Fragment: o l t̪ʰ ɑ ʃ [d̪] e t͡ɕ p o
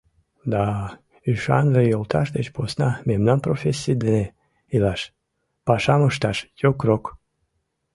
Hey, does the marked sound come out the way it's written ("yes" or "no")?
yes